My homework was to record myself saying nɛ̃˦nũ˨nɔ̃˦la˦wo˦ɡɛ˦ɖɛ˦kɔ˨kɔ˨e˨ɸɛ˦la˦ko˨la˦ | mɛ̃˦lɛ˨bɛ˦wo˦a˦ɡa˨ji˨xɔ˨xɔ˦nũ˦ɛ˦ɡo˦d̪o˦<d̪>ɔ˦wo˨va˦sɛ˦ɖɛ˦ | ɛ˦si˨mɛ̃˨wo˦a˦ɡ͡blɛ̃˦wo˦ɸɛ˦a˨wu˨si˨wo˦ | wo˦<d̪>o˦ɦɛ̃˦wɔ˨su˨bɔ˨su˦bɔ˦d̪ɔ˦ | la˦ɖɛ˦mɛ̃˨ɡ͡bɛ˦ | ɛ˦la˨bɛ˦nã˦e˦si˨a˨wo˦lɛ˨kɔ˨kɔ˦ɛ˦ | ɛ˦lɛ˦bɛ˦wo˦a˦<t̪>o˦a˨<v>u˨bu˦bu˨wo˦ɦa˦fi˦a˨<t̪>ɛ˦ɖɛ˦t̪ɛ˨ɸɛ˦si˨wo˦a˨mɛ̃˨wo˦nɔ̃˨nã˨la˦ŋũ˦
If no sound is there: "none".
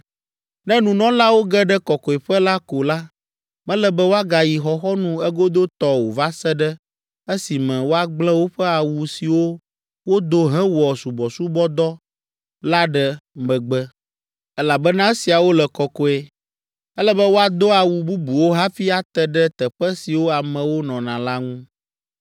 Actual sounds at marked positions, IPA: t̪, d̪, d̪, w, t̪

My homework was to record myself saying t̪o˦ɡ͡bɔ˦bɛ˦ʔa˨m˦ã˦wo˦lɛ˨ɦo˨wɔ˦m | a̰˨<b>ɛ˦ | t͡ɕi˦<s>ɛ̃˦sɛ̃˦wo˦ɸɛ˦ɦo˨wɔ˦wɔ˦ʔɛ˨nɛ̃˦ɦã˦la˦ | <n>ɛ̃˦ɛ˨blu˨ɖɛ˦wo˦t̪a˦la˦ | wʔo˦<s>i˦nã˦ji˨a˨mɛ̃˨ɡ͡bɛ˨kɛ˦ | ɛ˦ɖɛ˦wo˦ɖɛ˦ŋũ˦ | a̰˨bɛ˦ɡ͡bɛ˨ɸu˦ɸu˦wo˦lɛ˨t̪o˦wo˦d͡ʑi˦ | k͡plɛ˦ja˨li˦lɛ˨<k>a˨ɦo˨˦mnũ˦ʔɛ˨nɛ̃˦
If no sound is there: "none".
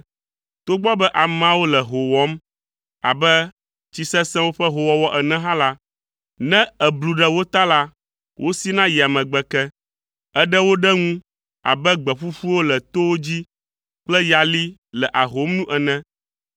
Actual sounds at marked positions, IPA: b, s, n, s, ʔ

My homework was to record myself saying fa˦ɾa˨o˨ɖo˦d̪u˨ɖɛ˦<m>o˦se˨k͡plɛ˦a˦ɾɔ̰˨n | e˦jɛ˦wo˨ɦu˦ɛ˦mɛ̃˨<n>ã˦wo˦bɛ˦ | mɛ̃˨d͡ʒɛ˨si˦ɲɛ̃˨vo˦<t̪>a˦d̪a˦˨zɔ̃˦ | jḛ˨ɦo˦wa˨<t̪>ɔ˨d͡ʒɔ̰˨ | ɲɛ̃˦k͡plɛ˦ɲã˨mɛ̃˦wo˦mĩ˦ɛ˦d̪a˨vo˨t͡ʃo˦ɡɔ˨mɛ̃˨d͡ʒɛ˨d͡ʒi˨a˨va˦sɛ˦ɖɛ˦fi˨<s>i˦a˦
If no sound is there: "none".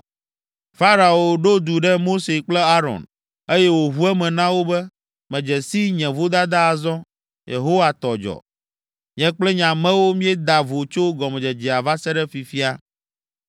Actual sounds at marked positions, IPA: m, n, d̪, t̪, f

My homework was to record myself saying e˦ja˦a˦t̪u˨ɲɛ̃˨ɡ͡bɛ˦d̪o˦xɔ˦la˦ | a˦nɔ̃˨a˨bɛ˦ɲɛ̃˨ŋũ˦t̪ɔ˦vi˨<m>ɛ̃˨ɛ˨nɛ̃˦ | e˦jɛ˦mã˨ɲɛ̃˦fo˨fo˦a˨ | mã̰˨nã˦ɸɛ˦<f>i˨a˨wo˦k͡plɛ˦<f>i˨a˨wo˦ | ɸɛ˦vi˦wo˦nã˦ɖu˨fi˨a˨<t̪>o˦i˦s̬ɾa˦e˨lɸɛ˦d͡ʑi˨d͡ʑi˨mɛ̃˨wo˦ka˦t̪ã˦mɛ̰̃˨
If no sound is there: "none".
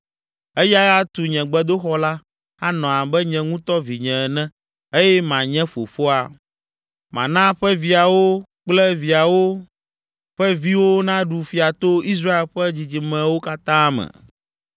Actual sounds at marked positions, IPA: ɲ, v, v, t̪

